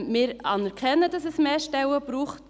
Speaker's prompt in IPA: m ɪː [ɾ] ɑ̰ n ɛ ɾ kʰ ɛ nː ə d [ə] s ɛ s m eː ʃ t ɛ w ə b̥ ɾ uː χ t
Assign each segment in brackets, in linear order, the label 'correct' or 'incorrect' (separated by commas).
correct, incorrect